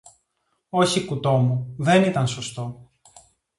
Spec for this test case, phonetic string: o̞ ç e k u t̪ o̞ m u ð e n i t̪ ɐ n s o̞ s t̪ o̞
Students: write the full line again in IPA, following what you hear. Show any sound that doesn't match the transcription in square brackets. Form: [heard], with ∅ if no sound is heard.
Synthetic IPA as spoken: o̞ ç [i] k u t̪ o̞ m u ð e n i t̪ ɐ n s o̞ s t̪ o̞